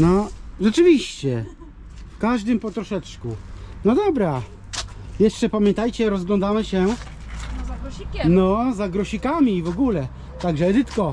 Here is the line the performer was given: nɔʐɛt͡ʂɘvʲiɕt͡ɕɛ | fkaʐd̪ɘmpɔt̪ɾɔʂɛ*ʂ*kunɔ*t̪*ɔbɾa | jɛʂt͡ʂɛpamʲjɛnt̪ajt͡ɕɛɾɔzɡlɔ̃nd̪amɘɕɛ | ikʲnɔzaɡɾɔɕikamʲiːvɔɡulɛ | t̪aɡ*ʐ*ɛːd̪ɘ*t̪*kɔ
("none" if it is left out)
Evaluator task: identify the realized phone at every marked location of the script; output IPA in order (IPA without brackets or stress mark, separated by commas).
t͡ʂ, d̪, ʐ, t̪